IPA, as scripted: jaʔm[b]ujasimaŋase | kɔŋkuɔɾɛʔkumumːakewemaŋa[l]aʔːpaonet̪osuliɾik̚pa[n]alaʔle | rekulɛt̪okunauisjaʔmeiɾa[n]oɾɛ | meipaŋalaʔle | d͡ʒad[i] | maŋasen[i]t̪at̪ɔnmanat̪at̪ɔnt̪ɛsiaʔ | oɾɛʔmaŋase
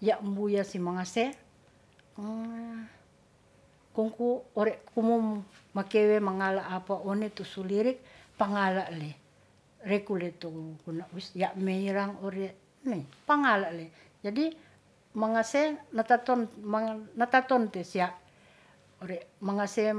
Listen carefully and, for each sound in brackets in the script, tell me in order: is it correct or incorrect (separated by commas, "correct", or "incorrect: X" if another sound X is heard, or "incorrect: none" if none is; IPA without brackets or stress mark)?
correct, correct, incorrect: ŋ, incorrect: ŋ, correct, incorrect: a